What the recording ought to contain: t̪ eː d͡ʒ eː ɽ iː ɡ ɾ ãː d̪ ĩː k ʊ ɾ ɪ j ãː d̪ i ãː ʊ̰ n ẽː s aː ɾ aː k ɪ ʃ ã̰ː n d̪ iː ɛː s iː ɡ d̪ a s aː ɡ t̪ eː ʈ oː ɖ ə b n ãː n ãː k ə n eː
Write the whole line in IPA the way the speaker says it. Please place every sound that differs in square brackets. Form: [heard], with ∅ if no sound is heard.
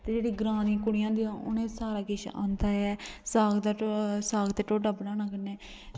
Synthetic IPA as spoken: t̪ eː d͡ʒ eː ɽ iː ɡ ɾ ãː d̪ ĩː k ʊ [ɽ] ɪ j ãː d̪ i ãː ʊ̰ n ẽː s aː ɾ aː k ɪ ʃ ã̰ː n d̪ [aː] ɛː s [aː] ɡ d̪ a s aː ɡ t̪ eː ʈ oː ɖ ə b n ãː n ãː k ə n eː